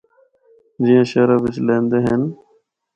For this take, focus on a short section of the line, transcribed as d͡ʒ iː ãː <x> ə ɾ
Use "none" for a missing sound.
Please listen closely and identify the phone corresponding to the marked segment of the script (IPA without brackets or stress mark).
ʃ